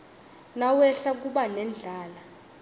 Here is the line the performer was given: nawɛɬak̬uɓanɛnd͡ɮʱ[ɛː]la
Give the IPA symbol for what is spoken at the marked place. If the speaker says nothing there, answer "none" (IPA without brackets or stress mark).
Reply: aː